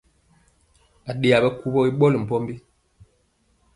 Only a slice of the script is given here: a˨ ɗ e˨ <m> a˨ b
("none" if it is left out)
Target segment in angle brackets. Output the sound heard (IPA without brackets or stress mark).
none